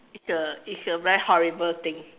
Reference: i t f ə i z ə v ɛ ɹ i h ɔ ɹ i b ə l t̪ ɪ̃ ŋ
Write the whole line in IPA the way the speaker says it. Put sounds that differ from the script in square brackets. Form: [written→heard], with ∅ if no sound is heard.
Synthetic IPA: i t [f→s] ə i [z→s] ə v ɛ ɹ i h ɔ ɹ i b ə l t̪ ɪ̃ ŋ

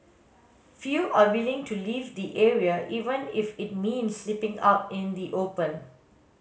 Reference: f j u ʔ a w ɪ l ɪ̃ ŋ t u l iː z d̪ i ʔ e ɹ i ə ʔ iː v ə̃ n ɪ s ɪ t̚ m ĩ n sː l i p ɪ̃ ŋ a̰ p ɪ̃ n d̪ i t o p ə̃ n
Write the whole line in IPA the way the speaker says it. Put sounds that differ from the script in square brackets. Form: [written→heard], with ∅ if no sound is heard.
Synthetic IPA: f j u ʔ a w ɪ l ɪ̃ ŋ t u l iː [z→v] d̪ i ʔ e ɹ i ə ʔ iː v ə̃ n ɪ [s→f] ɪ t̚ m ĩ n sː l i p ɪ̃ ŋ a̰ p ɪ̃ n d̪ i [t→ʔ] o p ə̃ n

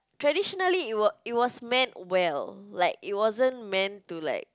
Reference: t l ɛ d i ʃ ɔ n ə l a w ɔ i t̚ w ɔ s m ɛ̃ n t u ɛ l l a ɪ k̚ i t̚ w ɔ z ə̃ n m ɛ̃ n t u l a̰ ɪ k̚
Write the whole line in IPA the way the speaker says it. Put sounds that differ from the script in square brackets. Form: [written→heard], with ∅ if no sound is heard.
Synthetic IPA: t [l→ɹ] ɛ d i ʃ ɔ n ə l [a→i] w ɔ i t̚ w ɔ s m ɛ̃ n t [u→w] ɛ l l a ɪ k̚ i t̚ w ɔ z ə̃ n m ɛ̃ n t u l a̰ ɪ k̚

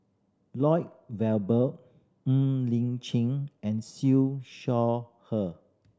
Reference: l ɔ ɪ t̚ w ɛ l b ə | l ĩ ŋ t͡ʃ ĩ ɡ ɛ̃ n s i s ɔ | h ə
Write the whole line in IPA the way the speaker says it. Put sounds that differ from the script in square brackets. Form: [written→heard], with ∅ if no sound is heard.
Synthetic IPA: l ɔ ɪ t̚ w ɛ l b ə | l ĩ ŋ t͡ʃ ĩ [ɡ→ŋ] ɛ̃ n s i [s→ʃ] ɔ | h ə

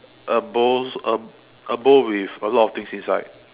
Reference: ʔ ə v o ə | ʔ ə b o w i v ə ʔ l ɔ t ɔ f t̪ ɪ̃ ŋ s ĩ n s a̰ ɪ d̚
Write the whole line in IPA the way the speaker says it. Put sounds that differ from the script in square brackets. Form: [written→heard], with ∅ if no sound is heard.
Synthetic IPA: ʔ ə [v→b] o ə | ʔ ə b o w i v ə [ʔ→∅] l ɔ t ɔ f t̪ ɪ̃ ŋ s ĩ n s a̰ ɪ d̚

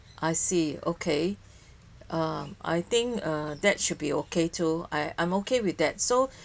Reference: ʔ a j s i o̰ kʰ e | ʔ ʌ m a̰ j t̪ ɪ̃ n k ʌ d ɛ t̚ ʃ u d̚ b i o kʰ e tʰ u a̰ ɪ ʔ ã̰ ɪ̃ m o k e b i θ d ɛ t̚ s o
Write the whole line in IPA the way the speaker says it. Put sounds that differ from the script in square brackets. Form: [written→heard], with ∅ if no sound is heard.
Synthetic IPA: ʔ a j s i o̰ kʰ e | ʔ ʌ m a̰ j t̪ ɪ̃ [n→ŋ] k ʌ d ɛ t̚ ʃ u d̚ b i o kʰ e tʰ u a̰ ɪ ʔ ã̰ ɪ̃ m o k e [b→w] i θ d ɛ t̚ s o

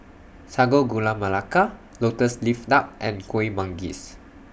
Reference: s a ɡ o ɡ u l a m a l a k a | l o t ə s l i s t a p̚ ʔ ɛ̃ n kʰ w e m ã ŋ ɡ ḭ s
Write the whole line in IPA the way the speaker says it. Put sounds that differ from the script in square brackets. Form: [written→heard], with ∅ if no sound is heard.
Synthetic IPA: s a ɡ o ɡ u l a m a l a k a | l o t ə s l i [s→f] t a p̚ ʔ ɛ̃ n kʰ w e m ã ŋ ɡ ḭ s

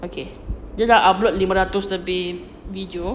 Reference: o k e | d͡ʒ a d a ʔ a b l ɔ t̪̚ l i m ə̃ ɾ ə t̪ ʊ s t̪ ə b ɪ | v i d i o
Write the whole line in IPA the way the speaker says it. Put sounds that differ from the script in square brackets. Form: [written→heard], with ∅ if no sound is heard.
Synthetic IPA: o k e | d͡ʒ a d a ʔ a b l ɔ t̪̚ l i m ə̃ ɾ [ə→a] t̪ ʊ s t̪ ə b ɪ | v i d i o

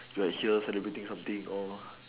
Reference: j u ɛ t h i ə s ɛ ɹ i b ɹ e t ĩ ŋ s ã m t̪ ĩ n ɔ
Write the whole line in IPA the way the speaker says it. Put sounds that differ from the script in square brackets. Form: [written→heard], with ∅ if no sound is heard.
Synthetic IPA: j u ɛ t h i ə s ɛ [ɹ→l] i b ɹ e t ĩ ŋ s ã m t̪ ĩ [n→ŋ] ɔ

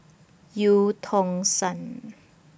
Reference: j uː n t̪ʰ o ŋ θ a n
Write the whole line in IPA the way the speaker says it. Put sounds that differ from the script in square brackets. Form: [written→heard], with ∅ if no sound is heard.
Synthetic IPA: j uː [n→∅] t̪ʰ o ŋ [θ→s] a n

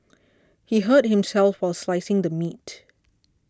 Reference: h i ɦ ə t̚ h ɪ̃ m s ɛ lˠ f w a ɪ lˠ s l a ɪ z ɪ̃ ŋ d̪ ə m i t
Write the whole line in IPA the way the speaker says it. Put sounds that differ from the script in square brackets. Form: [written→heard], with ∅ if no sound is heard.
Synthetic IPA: h i ɦ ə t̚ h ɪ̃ m s ɛ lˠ f w a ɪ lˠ s l a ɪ [z→s] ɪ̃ ŋ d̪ ə m i t

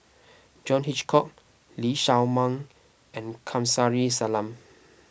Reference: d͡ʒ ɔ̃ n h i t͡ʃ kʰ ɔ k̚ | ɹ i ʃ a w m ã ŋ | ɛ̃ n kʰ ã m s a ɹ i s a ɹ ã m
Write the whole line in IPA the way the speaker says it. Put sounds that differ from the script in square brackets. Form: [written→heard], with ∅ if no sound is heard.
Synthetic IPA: d͡ʒ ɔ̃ n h i t͡ʃ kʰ ɔ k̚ | [ɹ→l] i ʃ a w m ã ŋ | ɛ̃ n kʰ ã m s a ɹ i s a [ɹ→l] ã m

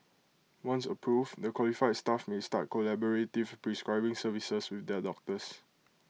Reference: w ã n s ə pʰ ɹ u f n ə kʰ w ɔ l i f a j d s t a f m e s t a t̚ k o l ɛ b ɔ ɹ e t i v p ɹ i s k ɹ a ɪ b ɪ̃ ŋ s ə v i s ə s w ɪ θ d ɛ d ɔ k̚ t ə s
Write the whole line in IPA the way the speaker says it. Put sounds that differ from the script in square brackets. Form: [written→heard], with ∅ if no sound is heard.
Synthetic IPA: w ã n s ə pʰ ɹ u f [n→d] ə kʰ w ɔ l i f a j d s t a f m e s t a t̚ k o l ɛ b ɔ ɹ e t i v p ɹ i s k ɹ a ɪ b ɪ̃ ŋ s ə v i s ə s w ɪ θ d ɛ d ɔ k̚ t ə s

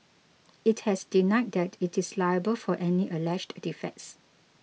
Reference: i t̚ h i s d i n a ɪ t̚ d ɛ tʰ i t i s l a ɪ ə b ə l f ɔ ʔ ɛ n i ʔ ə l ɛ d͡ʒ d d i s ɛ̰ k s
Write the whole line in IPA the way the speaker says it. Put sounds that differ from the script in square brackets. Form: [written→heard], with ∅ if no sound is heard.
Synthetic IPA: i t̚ h [i→ɛ] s d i n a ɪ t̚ d ɛ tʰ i t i s l a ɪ ə b ə l f ɔ ʔ ɛ n i ʔ ə l ɛ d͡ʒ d d i [s→f] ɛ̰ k s

